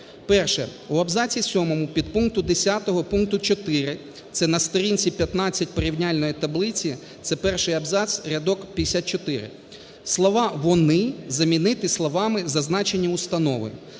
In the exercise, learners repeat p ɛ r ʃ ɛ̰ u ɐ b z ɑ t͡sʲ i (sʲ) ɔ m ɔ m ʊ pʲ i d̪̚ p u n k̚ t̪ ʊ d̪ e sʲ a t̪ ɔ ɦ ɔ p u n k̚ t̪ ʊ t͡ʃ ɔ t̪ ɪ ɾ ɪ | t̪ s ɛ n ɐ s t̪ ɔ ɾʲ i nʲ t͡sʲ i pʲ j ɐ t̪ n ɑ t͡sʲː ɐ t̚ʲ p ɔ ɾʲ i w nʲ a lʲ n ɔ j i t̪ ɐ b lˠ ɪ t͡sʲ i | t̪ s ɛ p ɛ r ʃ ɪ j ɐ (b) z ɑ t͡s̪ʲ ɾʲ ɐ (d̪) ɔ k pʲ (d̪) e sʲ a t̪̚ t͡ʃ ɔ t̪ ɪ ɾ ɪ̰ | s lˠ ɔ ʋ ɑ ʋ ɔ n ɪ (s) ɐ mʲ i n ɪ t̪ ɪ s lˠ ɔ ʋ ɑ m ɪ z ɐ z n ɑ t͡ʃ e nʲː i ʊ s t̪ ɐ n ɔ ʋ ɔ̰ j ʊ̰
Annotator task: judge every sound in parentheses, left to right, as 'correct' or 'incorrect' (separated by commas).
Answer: correct, correct, correct, correct, incorrect